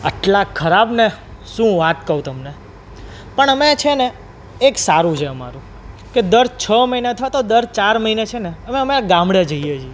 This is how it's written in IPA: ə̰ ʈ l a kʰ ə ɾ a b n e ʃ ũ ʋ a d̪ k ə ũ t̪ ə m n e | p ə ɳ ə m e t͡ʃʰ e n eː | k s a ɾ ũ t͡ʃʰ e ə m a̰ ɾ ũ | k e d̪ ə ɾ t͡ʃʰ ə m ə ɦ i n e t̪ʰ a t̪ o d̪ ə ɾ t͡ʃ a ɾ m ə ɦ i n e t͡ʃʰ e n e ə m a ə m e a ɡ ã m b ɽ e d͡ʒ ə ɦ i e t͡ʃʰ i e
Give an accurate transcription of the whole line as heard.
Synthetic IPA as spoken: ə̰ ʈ l a kʰ ə ɾ a b n e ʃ ũ ʋ a t̪ k ə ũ t̪ ə m n e | p ə ɳ ə m e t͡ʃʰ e n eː | k s a ɾ ũ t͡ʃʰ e ə m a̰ ɾ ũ | k e d̪ ə ɾ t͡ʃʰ ə m ə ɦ i n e t̪ʰ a t̪ o d̪ ə ɾ t͡ʃ a ɾ m ə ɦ i n e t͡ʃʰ e n e ə m e ə m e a ɡ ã m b ɽ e d͡ʒ ə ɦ i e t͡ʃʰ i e

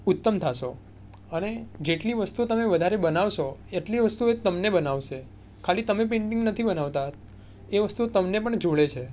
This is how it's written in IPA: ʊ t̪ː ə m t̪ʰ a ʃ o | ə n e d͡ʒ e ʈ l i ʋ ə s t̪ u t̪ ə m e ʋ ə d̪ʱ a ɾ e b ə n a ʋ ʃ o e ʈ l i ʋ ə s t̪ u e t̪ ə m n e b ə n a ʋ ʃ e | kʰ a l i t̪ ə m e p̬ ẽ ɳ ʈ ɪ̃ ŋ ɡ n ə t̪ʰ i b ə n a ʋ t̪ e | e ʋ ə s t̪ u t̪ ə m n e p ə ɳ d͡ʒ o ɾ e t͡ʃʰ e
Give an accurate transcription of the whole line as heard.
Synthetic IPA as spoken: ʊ t̪ː ə m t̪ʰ a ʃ o | ə n e d͡ʒ e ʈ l i ʋ ə s t̪ u t̪ ə m e ʋ ə d̪ʱ a ɾ e b ə n a ʋ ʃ o e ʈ l i ʋ ə s t̪ u e t̪ ə m n e b ə n a ʋ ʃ e | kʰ a l i t̪ ə m e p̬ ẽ ɳ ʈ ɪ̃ ŋ ɡ n ə t̪ʰ i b ə n a ʋ t̪ a | e ʋ ə s t̪ u t̪ ə m n e p ə ɳ d͡ʒ o ɭ e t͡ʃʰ e

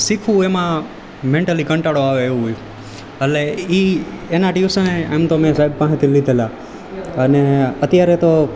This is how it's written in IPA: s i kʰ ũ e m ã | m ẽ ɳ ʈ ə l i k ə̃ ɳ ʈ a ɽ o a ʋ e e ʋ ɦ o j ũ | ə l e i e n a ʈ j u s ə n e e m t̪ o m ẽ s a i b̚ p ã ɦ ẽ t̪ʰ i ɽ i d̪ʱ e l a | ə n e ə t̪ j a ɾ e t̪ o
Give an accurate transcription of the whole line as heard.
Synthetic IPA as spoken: s i kʰ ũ e m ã | m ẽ ɳ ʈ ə l i k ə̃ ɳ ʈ a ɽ o a ʋ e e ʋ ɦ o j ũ | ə l e i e n a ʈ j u s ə n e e m t̪ o m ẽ s a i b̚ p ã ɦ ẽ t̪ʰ i l i d̪ʱ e l a | ə n e ə t̪ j a ɾ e t̪ o

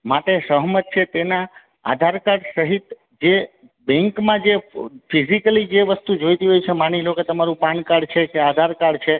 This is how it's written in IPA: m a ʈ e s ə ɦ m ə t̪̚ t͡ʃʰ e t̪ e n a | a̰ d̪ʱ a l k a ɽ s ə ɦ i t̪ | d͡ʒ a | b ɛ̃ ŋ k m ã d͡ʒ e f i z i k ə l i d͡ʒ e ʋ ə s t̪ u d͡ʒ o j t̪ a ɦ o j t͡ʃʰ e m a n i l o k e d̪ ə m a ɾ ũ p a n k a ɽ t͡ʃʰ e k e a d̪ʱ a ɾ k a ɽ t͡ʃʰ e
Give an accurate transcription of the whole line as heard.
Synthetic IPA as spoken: m a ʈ e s ə ɦ m ə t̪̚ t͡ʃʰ e t̪ e n a | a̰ d̪ʱ a ɾ k a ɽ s ə ɦ i t̪ | d͡ʒ e | b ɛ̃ ŋ k m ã d͡ʒ e f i z i k ə l i d͡ʒ e ʋ ə s t̪ u d͡ʒ o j t̪ i ɦ o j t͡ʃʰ e m a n i l o k e t̪ ə m a ɾ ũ p a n k a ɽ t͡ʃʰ e k e a d̪ʱ a ɾ k a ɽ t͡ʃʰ e

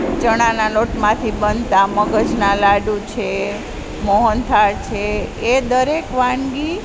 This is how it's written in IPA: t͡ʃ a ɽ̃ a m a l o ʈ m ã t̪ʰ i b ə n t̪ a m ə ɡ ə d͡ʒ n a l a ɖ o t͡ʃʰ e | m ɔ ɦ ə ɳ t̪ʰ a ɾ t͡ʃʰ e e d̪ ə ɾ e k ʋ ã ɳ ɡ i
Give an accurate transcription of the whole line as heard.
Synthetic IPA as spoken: t͡ʃ ə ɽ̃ a n a l o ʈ m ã t̪ʰ i b ə n t̪ a m ə ɡ ə d͡ʒ n a l a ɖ u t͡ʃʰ e | m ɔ ɦ ə n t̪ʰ a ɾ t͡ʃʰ e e d̪ ə ɾ e k ʋ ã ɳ ɡ i

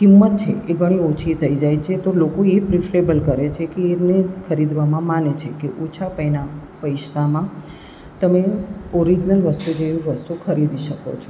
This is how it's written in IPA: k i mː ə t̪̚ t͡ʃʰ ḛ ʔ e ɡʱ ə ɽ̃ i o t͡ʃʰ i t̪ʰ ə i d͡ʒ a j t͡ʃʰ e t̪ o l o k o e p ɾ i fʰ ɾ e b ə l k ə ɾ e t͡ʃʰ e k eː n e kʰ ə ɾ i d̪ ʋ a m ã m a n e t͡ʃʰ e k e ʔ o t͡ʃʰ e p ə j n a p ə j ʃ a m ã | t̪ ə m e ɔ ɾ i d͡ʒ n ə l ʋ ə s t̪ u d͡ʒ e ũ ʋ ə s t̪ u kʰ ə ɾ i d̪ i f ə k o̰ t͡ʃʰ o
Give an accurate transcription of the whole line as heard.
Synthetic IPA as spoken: k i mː ə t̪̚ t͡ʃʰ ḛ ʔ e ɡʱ ə ɽ̃ i o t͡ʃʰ i t̪ʰ ə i d͡ʒ a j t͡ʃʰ e t̪ o l o k o e p ɾ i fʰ ɾ e b ə l k ə ɾ e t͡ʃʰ e k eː n e kʰ ə ɾ i d̪ ʋ a m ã m a n e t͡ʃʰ e k e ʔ o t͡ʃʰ a p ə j n a p ə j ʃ a m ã | t̪ ə m e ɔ ɾ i d͡ʒ n ə l ʋ ə s t̪ u d͡ʒ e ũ ʋ ə s t̪ u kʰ ə ɾ i d̪ i ʃ ə k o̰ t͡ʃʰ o

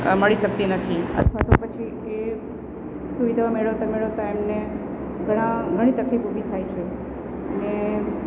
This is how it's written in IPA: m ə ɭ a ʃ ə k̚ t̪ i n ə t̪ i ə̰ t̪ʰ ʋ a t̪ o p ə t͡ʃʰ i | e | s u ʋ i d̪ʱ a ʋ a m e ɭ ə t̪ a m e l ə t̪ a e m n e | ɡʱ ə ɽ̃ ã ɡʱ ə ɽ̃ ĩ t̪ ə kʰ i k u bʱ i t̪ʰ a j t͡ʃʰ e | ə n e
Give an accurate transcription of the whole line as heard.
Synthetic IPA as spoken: m ə ɭ i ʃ ə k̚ t̪ i n ə t̪ʰ i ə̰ t̪ʰ ʋ a t̪ o p ə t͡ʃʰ i | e | s u ʋ i d̪ʱ a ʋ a m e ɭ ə t̪ a m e ɭ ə t̪ a e m n e | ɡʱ ə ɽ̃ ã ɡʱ ə ɽ̃ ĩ t̪ ə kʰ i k u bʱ i t̪ʰ a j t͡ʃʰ e | ə n e

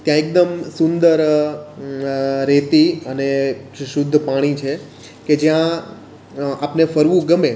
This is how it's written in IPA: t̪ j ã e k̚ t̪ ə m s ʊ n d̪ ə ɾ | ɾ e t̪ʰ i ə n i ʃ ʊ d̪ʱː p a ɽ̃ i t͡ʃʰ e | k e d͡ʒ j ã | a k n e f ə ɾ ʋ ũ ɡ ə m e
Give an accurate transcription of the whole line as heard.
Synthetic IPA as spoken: t̪ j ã e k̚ d̪ ə m s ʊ n d̪ ə ɾ | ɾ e t̪ i ə n e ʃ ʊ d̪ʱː p a ɽ̃ i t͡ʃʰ e | k e d͡ʒ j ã | a p n e f ə ɾ ʋ ũ ɡ ə m e

